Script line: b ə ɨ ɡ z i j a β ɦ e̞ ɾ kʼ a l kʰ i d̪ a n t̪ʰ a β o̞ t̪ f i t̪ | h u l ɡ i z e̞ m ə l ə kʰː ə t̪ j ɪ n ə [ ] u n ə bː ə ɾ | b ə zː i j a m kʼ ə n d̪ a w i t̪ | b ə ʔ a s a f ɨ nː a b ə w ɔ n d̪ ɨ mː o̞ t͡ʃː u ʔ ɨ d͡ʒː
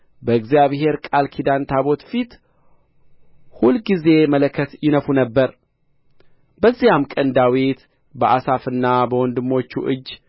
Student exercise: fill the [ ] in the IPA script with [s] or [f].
f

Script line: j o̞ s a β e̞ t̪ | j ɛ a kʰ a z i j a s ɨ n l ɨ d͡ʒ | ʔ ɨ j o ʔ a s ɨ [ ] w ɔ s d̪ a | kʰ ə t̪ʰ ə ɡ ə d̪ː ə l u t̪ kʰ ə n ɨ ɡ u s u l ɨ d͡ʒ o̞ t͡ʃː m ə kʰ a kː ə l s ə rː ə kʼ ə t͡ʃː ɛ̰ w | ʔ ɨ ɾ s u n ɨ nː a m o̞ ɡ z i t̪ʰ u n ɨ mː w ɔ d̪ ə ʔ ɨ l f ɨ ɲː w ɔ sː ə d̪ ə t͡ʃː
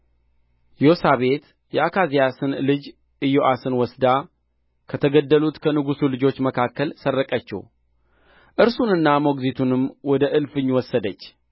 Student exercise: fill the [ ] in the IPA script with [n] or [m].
n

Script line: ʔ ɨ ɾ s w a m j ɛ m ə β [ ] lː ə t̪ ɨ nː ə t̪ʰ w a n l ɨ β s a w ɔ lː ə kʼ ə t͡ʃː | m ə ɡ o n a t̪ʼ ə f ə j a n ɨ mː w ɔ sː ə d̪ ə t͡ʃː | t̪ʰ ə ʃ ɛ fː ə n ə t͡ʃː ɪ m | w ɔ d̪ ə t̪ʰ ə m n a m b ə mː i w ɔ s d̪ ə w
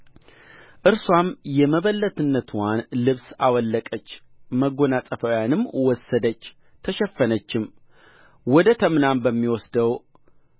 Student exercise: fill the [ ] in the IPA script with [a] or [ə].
ə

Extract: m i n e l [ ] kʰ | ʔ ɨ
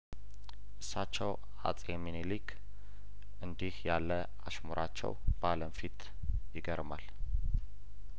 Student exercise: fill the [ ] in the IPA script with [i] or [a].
i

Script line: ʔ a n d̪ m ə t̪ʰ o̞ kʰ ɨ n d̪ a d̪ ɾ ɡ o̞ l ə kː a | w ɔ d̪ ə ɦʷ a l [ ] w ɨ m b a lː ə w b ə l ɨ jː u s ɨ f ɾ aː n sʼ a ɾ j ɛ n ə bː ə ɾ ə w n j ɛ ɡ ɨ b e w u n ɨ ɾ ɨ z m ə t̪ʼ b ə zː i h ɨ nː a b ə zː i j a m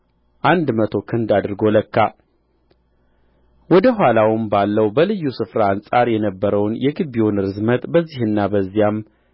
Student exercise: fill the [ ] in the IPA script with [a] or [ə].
a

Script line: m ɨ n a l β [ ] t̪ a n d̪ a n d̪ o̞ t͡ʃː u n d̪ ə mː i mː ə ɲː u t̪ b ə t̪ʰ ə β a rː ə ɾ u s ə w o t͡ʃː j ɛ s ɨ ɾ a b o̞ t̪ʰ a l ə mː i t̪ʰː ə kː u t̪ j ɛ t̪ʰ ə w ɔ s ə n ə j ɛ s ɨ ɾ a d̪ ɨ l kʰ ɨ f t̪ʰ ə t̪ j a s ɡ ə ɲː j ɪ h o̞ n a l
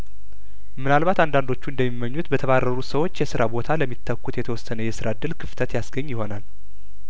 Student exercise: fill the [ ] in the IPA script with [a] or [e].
a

